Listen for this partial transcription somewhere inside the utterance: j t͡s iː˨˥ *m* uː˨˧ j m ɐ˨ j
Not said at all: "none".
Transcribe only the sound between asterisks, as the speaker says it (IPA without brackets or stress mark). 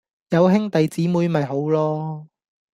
m